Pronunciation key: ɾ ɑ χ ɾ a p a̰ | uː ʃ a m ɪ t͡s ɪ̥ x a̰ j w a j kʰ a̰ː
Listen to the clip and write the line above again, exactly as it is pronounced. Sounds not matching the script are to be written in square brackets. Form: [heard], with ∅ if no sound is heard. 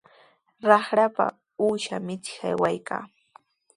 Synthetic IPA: ɾ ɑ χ ɾ a p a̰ | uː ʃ a m ɪ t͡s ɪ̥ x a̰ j w a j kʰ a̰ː

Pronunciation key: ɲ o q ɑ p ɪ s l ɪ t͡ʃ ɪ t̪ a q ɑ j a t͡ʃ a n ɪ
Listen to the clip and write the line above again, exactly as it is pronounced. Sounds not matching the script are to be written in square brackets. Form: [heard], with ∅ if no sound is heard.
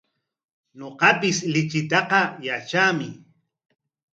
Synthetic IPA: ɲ o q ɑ p ɪ s l ɪ t͡ʃ ɪ t̪ [ɑ] q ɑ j a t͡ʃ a [m] ɪ

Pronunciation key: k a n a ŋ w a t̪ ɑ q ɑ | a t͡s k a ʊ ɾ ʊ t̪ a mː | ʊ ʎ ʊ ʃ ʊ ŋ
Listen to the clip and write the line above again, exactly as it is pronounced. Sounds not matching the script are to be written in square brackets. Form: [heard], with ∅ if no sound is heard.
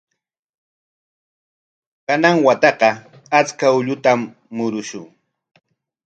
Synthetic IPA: k a n a ŋ w a t̪ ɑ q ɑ | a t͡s k a ʊ [ʎ] ʊ t̪ a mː | ʊ [ɾ] ʊ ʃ ʊ ŋ

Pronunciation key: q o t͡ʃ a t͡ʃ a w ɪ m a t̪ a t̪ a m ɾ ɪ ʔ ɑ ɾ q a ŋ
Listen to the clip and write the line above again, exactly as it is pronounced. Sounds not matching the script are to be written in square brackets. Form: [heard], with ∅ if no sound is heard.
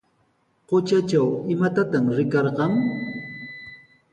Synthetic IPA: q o t͡ʃ a t͡ʃ a w ɪ m a t̪ a t̪ a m ɾ ɪ [k] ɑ ɾ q [ɑ] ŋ

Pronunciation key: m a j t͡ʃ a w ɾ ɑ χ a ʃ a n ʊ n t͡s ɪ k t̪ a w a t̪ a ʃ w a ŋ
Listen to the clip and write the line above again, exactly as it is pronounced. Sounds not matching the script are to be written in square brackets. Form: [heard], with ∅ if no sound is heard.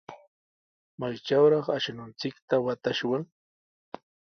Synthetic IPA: m a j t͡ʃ a w ɾ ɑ χ a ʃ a n ʊ n t͡s ɪ k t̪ a w a t̪ a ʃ w a ŋ

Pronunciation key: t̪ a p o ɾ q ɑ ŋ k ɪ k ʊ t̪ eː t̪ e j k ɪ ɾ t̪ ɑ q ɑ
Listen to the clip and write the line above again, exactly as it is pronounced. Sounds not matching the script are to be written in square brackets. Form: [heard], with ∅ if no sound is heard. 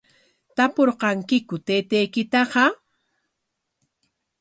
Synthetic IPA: t̪ a p o ɾ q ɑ ŋ k ɪ k ʊ t̪ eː t̪ e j k ɪ [∅] t̪ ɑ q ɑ

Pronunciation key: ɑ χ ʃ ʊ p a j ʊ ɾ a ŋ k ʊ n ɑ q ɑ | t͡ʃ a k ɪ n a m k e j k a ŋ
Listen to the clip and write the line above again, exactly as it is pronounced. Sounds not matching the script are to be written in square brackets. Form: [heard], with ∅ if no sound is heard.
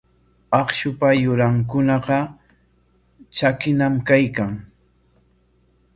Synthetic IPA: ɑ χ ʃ ʊ p a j ʊ ɾ a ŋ k ʊ n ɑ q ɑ | t͡ʃ a k ɪ n a m k [a] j k a ŋ

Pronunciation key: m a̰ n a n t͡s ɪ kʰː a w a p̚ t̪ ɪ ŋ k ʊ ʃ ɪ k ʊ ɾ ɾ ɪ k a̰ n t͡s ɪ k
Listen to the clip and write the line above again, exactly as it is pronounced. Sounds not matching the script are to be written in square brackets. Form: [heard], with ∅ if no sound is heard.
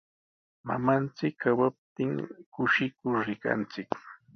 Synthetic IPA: m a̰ [m] a n t͡s ɪ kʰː a w a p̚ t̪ ɪ ŋ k ʊ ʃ ɪ k ʊ ɾ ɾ ɪ k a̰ n t͡s ɪ k

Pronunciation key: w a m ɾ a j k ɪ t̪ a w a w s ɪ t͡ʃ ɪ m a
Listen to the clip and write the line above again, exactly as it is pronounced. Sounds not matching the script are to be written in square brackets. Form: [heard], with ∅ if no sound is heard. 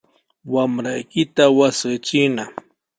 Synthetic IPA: w a m ɾ a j k ɪ t̪ a w a [∅] s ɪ t͡ʃ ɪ [n] a

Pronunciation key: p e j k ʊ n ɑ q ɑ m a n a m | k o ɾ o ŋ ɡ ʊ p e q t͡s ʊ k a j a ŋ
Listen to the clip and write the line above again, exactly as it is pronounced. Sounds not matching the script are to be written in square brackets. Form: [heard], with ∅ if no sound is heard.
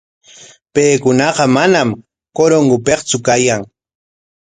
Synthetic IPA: p e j k ʊ n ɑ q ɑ m a n a m | k o ɾ o ŋ ɡ ʊ p e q t͡s ʊ k a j a ŋ

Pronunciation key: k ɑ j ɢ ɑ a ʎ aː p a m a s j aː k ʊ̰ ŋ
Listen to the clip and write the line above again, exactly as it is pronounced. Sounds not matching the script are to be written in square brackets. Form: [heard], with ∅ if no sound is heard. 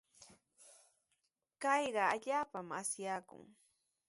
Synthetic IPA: k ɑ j ɢ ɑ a ʎ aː p a m a s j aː k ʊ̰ ŋ

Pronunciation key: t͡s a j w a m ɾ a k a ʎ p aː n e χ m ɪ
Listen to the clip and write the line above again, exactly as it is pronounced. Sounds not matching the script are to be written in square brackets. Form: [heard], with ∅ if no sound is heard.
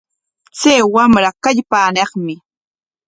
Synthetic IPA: t͡s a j w a m ɾ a k a ʎ p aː n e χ m ɪ

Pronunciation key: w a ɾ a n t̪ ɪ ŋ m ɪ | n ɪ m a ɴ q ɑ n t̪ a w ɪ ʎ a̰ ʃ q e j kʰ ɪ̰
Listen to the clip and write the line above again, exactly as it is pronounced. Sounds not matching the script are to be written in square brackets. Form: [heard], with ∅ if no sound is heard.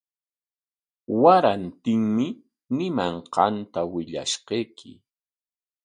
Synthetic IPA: w a ɾ a n t̪ ɪ ŋ m ɪ | n ɪ m a ɴ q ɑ n t̪ a w ɪ ʎ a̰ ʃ q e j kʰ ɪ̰

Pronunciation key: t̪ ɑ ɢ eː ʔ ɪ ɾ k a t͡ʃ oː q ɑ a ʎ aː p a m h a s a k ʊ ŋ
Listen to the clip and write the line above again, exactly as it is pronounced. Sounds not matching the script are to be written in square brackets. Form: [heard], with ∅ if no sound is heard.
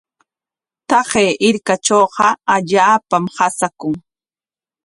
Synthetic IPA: t̪ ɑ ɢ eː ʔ ɪ ɾ k a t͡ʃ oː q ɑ a ʎ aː p a m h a s a k ʊ ŋ

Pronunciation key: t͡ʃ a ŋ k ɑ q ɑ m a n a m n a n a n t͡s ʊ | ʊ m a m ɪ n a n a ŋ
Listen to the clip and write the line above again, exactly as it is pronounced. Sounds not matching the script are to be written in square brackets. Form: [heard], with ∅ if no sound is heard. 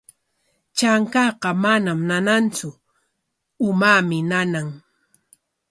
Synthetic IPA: t͡ʃ a ŋ k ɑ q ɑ m a n a m n a n a n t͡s ʊ | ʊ m a m ɪ n a n a ŋ

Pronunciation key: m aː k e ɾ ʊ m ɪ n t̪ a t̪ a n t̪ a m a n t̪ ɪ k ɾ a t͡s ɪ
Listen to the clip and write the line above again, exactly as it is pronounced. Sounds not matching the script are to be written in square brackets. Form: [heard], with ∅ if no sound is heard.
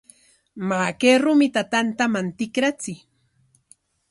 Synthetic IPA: m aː k e ɾ ʊ m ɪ [∅] t̪ a t̪ a n t̪ a m a n t̪ ɪ k ɾ a t͡s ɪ

